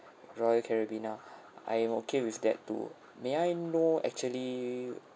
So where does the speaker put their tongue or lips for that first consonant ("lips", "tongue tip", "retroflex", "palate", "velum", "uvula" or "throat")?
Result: tongue tip